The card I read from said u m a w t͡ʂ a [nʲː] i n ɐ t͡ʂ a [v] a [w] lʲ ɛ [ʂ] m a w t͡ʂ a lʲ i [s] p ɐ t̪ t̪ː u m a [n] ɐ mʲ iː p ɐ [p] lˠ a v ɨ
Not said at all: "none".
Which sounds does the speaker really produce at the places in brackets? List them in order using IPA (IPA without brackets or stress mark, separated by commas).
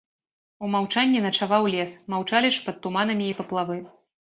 nʲː, v, w, s, ʂ, n, p